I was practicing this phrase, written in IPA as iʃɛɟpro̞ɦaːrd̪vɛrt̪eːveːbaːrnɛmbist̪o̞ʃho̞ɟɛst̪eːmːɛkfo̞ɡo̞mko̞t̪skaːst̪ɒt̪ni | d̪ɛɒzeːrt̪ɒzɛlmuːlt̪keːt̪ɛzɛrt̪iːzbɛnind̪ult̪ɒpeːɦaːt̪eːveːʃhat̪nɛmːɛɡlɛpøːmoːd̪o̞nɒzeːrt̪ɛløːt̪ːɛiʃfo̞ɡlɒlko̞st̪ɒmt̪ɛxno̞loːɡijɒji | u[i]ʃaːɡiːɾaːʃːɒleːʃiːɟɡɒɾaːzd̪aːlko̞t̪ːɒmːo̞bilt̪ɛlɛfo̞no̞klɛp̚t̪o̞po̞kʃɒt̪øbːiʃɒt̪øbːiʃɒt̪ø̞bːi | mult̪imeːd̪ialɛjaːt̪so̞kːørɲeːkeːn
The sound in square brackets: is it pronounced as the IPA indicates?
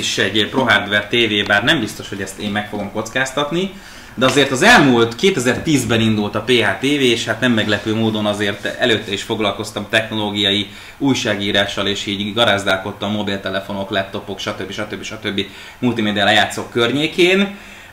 no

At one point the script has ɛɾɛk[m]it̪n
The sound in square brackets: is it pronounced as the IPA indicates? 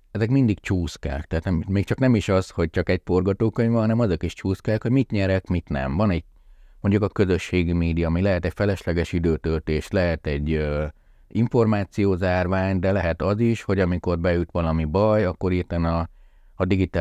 yes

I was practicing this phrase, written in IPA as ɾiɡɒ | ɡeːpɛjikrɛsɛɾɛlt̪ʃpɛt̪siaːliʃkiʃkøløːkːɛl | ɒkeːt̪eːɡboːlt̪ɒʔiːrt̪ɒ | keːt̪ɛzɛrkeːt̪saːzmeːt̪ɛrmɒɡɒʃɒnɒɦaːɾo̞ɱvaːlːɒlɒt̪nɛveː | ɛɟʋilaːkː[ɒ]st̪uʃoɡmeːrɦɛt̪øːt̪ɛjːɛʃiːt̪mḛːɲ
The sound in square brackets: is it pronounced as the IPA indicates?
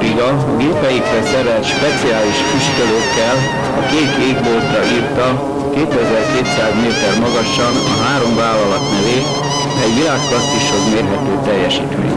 yes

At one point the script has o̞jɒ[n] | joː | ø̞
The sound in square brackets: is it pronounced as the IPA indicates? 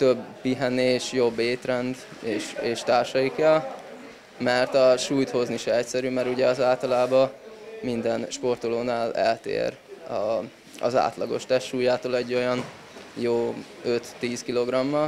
yes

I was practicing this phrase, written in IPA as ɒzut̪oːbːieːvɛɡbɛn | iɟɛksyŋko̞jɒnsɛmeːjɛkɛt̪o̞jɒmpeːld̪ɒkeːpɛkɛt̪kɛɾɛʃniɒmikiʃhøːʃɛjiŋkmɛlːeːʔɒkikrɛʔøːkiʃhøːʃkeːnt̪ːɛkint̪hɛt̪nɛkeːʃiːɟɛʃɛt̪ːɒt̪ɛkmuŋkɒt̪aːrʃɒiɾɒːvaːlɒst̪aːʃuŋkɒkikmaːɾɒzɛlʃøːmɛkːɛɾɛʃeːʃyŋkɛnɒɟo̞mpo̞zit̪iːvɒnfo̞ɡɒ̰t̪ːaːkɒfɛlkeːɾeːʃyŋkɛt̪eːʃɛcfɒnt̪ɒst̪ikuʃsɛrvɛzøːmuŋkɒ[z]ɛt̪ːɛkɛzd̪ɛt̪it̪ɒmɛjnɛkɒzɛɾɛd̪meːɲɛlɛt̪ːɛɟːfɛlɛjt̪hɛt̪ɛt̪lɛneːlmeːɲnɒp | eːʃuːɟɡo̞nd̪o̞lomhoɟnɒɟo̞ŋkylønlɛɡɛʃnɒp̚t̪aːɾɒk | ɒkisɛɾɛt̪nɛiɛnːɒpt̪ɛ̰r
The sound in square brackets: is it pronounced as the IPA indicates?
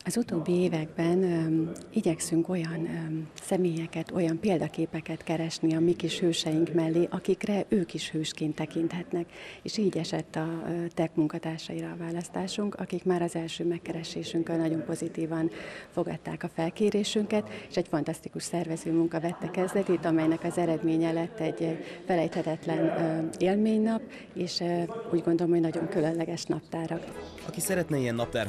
no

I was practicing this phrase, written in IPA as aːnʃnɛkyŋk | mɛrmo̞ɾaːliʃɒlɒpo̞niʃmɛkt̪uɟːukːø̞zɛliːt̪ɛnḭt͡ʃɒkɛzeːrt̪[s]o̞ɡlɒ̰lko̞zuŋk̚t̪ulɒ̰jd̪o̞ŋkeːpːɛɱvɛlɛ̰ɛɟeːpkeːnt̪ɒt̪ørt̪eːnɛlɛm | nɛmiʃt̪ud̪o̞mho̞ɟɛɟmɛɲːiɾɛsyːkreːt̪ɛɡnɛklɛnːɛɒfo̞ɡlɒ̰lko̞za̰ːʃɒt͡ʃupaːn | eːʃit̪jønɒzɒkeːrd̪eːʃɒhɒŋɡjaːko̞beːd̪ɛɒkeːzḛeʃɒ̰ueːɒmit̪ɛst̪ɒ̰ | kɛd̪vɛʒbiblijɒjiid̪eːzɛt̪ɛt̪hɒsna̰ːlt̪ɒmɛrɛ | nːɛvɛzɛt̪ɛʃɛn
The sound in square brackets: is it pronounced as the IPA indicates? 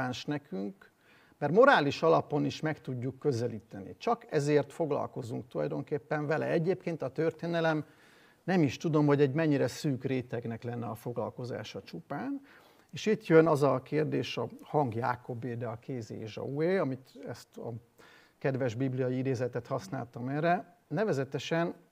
no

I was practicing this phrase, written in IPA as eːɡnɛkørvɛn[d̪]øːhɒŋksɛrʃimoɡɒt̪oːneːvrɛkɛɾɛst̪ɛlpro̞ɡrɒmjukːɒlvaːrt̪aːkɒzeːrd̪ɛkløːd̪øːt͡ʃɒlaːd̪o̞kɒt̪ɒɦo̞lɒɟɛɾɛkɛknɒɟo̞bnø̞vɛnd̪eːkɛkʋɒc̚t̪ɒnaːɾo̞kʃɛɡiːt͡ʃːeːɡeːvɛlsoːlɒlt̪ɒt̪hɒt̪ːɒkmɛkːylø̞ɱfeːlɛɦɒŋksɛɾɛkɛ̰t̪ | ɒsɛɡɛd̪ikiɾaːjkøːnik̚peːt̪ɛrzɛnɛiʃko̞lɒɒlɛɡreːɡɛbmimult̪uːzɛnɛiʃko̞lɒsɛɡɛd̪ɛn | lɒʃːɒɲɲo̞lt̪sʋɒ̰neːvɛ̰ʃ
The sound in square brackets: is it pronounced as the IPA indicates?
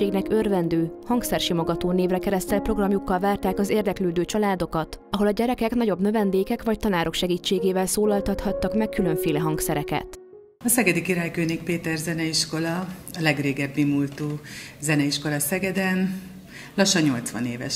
yes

